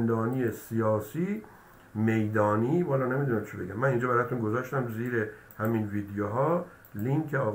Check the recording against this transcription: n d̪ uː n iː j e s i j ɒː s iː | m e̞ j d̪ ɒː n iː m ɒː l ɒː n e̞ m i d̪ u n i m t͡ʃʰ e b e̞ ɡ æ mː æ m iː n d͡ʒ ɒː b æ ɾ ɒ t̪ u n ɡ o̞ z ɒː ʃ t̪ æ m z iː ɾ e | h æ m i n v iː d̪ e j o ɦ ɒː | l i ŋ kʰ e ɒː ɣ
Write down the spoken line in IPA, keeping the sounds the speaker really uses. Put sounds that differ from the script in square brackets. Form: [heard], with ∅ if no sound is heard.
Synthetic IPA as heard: n d̪ [ɒː] n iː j e s i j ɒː s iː | m e̞ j d̪ ɒː n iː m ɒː l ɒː n e̞ m i d̪ u n [æ] m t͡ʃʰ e b e̞ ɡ æ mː æ [n] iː n d͡ʒ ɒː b æ ɾ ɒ t̪ u n ɡ o̞ z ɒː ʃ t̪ æ m z iː ɾ e | h æ m i n v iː d̪ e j o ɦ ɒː | l i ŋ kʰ e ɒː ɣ

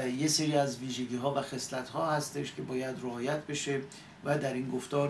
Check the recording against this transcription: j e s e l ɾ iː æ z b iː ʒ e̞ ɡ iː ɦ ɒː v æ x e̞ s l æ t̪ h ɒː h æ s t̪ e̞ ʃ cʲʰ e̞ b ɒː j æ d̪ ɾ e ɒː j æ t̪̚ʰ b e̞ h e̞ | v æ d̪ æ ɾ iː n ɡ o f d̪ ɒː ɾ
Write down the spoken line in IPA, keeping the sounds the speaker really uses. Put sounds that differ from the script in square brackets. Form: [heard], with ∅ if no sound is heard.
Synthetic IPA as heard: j e s e [∅] ɾ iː æ z [v] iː ʒ e̞ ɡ iː ɦ ɒː v æ x e̞ s l æ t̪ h ɒː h æ s t̪ e̞ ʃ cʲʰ e̞ b ɒː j æ d̪ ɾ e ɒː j æ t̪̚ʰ b e̞ [ʃ] e̞ | v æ d̪ æ ɾ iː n ɡ o f [t̪] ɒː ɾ

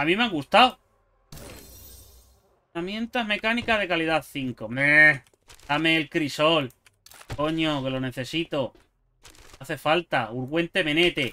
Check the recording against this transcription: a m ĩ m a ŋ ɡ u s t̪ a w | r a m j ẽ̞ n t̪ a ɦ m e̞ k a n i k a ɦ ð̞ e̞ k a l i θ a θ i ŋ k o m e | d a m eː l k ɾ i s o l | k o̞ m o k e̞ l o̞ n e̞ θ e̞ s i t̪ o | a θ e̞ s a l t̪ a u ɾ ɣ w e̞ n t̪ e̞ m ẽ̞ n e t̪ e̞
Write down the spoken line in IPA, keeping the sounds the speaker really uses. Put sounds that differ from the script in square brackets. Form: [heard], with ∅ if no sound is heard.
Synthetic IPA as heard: a m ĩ m a ŋ ɡ u s t̪ a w | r a m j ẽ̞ n t̪ a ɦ m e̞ k a n i k a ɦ ð̞ e̞ k a l i [ð] a θ i ŋ k o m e | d a m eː l k ɾ i s o l | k o̞ [ɲ] o k e̞ l o̞ n e̞ θ e̞ s i t̪ o | a θ e̞ [f] a l t̪ a u ɾ ɣ w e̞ n t̪ e̞ m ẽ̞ n e t̪ e̞

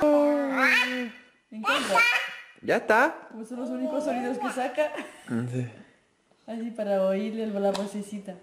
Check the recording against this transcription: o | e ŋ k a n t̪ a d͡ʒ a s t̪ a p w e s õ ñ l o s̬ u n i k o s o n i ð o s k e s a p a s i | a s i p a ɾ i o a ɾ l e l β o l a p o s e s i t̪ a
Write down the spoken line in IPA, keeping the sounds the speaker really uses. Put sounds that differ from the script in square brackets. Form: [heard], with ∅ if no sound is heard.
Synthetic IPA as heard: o | e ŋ k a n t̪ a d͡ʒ a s t̪ a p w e s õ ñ l o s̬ u n i k o s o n i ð o s k e s a [k] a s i | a s i p a ɾ [a] o [i] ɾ l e l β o l a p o s e s i t̪ a

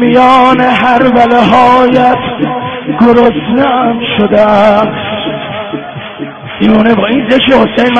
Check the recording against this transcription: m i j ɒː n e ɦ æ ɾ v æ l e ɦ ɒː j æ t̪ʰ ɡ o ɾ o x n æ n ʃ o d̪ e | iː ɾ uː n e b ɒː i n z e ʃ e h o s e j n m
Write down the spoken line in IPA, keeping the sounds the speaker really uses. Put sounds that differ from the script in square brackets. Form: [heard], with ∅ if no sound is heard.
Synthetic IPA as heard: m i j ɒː n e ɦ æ ɾ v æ l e ɦ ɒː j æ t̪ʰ ɡ o ɾ o [s] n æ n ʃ o d̪ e | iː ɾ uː n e b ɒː i n z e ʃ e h o s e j n m

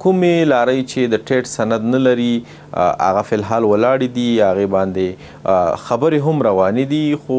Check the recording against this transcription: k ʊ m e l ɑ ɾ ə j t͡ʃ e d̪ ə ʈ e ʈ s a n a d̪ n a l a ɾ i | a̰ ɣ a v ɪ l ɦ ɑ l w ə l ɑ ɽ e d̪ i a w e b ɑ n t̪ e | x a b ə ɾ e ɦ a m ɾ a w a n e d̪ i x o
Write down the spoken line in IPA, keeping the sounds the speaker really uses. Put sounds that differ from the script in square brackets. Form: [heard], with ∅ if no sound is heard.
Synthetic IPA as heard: k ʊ m e l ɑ ɾ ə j t͡ʃ e d̪ ə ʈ e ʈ s a n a d̪ n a l a ɾ i | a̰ ɣ a [f] ɪ l ɦ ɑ l w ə l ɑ ɽ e d̪ i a [ɣ] e b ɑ n [d̪] e | x a b ə ɾ e ɦ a m ɾ a w [ɑ] n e d̪ i x o

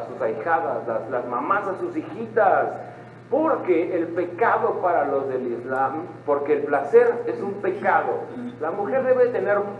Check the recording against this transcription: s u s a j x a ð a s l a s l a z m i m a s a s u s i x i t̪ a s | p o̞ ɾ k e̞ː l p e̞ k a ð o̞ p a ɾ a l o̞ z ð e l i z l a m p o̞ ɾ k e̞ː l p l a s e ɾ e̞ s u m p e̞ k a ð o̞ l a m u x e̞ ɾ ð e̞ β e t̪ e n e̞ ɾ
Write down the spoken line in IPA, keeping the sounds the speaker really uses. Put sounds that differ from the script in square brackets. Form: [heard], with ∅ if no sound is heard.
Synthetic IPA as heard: s u s a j x a ð a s l a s l a z m [a] m a s a s u s i x i t̪ a s | p o̞ ɾ k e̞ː l p e̞ k a ð o̞ p a ɾ a l o̞ z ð e l i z l a m p o̞ ɾ k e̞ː l p l a s e ɾ e̞ s u m p e̞ k a ð o̞ l a m u x e̞ ɾ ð e̞ β e t̪ e n e̞ ɾ

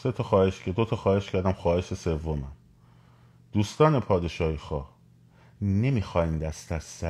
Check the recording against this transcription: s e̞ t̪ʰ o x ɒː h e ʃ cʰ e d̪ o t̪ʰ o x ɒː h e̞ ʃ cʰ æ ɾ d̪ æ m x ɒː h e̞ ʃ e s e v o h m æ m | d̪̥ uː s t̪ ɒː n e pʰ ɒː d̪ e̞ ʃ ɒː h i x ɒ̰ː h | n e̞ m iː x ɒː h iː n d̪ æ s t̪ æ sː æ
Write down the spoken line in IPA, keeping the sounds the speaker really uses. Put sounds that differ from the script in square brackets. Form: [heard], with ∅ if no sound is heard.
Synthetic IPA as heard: s e̞ t̪ʰ [ɒ] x ɒː h e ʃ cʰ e d̪ o t̪ʰ [ɒ] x ɒː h e̞ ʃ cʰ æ ɾ d̪ æ m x ɒː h e̞ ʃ e s e [vː] o [∅] m æ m | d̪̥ uː s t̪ ɒː n e pʰ ɒː d̪ e̞ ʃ ɒː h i x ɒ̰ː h | n e̞ m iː x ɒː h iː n d̪ æ s t̪ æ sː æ

